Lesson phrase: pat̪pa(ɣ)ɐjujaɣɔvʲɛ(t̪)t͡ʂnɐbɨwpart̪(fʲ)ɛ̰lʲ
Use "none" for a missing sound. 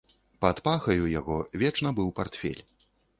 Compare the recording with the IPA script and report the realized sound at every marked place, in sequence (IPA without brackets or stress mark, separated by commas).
x, none, fʲ